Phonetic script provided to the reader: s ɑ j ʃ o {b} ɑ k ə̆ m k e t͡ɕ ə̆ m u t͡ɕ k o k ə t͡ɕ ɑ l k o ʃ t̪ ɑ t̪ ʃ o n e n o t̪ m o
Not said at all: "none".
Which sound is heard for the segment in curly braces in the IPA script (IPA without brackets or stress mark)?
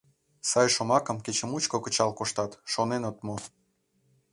m